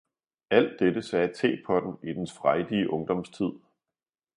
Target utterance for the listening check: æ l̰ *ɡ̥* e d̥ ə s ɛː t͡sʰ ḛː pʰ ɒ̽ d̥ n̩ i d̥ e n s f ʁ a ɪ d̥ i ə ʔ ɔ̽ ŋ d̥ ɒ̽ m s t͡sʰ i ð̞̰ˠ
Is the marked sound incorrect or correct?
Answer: incorrect